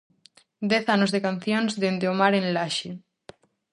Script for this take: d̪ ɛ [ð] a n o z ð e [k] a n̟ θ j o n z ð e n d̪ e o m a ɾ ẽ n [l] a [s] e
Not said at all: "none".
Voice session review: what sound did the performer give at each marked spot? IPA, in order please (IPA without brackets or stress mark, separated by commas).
θ, k, l, ʃ